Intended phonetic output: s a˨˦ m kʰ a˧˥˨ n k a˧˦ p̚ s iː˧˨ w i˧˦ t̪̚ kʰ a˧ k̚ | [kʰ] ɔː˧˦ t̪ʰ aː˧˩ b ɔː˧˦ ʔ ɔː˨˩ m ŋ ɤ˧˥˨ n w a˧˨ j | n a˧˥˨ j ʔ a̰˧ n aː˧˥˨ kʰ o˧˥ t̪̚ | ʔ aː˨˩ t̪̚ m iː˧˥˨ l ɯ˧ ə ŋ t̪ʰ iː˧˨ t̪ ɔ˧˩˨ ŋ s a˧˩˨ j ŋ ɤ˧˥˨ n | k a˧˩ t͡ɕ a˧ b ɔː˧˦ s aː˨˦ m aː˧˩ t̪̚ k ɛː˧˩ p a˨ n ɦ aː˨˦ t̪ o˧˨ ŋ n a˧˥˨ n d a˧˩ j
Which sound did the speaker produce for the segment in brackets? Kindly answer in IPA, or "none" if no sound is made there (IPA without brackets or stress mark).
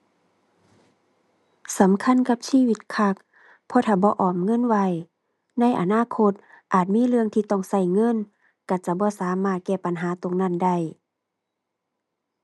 pʰ